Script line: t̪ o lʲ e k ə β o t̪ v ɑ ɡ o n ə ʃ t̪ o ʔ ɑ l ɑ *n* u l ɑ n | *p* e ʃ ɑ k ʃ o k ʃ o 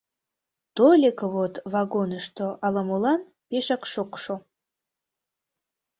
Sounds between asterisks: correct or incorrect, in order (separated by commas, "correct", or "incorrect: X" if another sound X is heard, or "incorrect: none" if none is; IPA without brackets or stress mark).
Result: incorrect: m, correct